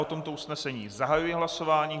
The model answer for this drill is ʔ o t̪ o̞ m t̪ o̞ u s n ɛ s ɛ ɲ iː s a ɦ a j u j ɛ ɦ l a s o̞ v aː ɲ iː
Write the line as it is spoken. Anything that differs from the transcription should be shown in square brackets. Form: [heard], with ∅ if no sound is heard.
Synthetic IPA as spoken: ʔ o t̪ o̞ m t̪ o̞ u s n ɛ s ɛ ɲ iː [z] a ɦ a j u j ɛ ɦ l a s o̞ v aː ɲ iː